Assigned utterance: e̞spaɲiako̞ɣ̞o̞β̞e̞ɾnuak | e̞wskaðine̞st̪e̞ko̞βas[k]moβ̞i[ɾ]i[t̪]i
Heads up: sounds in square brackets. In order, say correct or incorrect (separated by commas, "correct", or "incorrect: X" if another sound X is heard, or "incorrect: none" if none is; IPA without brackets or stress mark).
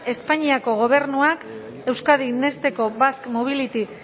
correct, incorrect: l, correct